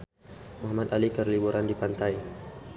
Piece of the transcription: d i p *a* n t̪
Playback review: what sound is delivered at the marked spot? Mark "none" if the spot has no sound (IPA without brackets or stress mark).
a